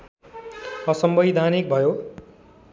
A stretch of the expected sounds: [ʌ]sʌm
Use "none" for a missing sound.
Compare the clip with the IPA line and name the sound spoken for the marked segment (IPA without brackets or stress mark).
ʌ